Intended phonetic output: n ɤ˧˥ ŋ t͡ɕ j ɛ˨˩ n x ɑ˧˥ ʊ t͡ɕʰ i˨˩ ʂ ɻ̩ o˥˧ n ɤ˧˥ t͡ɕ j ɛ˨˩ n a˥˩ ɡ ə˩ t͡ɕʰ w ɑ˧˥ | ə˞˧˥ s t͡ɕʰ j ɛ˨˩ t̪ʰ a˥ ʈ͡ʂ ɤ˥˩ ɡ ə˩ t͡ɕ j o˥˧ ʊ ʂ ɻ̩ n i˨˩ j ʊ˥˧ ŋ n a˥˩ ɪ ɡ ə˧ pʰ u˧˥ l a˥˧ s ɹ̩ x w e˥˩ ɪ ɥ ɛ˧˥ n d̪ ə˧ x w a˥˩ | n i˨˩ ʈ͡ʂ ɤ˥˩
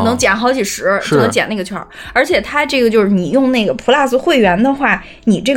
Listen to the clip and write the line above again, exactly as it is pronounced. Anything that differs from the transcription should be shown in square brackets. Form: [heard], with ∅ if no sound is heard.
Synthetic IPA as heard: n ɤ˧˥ ŋ t͡ɕ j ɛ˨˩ n x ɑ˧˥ ʊ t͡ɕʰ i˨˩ ʂ ɻ̩ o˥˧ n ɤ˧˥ t͡ɕ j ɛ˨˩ n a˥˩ ɡ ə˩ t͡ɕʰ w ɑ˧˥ | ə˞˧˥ [∅] t͡ɕʰ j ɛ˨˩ t̪ʰ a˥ ʈ͡ʂ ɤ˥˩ ɡ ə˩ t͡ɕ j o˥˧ ʊ ʂ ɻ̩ n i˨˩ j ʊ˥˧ ŋ n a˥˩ ɪ ɡ [ə˩] pʰ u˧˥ l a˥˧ s ɹ̩ x w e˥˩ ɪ ɥ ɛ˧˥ n d̪ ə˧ x w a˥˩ | n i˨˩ ʈ͡ʂ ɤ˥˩